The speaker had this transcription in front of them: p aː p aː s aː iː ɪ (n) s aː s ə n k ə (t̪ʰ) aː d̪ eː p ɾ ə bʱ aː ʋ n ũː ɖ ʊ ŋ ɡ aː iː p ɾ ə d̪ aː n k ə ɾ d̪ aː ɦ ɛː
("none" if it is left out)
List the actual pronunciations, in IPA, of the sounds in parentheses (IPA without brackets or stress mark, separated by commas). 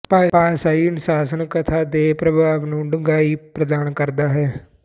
n, t̪ʰ